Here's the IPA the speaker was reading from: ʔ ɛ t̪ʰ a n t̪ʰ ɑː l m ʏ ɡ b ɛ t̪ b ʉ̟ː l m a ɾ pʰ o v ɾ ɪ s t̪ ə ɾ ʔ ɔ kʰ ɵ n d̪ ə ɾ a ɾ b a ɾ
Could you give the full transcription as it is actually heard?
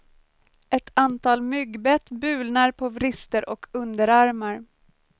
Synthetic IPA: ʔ ɛ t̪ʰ a n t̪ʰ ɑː l m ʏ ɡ b ɛ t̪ b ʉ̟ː l n a ɾ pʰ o v ɾ ɪ s t̪ ə ɾ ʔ ɔ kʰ ɵ n d̪ ə ɾ a ɾ m a ɾ